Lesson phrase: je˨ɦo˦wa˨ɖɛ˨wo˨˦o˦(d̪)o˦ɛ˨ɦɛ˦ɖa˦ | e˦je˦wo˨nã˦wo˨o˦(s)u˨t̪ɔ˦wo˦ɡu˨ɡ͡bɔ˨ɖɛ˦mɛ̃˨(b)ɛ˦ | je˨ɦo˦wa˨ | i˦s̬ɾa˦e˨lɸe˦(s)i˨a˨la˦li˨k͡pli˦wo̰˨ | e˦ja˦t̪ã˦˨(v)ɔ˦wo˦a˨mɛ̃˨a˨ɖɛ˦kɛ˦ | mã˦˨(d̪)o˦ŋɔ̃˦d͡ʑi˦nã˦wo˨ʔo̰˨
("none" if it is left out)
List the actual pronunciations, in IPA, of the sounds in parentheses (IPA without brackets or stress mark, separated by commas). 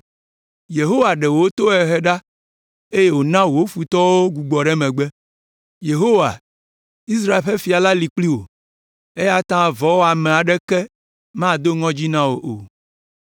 t̪, f, ɡ͡b, f, v, d̪